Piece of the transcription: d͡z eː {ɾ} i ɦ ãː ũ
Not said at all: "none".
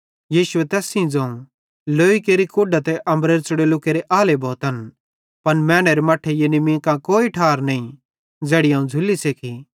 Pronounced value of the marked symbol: ɽ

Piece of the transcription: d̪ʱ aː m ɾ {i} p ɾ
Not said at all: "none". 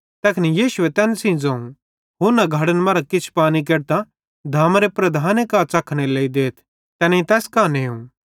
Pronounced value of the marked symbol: e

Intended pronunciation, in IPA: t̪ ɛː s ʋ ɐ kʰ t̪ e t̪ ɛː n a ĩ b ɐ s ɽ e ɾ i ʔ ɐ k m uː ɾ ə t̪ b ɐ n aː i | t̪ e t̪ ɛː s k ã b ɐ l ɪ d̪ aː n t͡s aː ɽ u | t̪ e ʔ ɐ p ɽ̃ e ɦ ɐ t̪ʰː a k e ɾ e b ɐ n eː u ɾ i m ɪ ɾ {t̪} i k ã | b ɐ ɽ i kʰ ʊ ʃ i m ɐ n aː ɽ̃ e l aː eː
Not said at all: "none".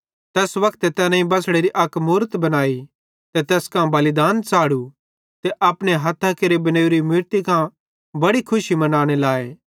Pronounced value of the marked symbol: t̪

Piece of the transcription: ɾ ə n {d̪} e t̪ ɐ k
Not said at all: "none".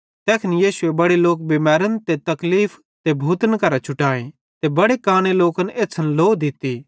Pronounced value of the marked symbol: t̪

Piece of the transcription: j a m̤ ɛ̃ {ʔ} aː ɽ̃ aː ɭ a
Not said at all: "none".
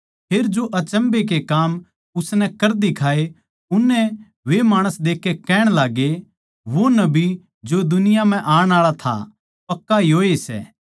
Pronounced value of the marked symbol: ʔ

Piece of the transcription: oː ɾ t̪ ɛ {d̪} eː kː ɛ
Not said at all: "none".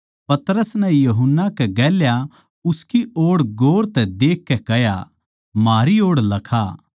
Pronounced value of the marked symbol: d̪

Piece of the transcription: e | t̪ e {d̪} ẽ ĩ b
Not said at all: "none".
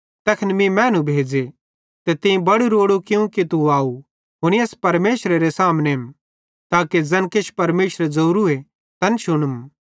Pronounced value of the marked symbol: t̪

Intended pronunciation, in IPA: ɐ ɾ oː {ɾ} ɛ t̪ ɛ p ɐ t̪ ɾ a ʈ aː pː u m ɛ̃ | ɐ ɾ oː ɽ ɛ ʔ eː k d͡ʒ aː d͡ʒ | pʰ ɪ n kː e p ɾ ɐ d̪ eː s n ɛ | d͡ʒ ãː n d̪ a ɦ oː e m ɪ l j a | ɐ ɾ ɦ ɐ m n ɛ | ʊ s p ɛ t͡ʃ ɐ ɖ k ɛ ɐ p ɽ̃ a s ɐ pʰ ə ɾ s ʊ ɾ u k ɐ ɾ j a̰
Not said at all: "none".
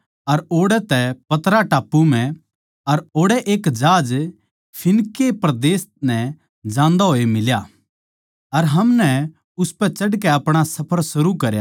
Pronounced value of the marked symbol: ɽ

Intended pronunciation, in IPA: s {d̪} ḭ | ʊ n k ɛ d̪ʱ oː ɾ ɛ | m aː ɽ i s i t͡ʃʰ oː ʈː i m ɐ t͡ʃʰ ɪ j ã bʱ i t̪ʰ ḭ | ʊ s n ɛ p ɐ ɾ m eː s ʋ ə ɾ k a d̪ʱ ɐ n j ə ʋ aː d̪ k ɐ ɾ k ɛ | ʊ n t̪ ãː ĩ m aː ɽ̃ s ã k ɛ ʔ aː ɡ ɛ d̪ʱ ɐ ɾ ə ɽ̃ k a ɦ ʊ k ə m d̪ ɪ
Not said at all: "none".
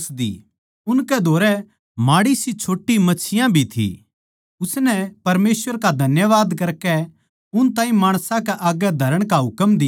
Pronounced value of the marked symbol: d̪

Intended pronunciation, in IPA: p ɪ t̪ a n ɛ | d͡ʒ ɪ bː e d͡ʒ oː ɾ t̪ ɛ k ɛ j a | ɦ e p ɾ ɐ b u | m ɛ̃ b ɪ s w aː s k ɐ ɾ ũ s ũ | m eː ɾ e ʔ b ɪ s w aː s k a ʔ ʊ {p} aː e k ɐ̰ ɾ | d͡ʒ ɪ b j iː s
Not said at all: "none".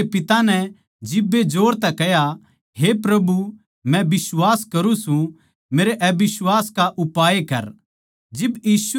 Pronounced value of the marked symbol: p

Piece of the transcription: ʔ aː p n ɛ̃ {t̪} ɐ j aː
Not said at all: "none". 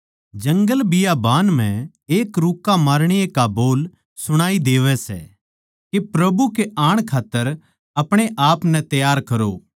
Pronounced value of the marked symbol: t̪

